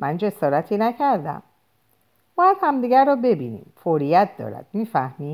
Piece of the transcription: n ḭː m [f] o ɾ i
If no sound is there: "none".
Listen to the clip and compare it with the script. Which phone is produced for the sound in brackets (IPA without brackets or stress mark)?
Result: f